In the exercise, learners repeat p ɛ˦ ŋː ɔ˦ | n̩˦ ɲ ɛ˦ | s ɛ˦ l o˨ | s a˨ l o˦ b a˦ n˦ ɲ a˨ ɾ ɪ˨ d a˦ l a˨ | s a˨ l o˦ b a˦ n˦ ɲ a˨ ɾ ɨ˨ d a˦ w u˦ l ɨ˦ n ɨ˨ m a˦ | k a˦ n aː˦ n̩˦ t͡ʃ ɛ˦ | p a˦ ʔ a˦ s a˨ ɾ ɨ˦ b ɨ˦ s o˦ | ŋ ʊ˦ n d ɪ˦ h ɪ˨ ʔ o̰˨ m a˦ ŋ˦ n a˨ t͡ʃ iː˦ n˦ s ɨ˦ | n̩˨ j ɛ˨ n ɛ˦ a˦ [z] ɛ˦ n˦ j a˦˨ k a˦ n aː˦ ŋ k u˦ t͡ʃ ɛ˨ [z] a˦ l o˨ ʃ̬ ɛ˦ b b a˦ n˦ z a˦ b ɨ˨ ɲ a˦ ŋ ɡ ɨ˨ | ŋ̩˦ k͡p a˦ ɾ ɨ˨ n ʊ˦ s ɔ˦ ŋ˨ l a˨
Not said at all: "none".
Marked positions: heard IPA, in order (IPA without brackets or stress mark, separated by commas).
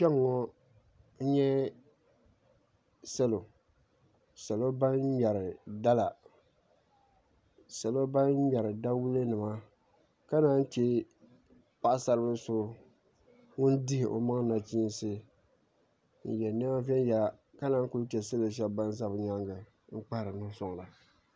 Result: v, s